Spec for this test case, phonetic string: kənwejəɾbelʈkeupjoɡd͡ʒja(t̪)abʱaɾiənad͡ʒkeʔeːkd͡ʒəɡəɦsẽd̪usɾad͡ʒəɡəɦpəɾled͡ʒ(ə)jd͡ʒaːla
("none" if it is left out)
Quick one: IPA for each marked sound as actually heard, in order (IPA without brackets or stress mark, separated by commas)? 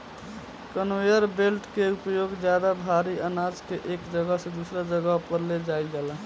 d̪, a